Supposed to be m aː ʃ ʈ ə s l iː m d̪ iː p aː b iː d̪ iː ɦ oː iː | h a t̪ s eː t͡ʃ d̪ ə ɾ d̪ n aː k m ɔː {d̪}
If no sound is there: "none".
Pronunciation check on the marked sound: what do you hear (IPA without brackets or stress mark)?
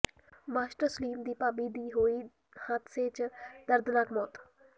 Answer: t̪